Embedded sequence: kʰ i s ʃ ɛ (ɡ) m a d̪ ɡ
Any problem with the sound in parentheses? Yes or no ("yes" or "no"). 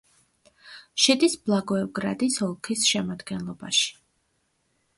yes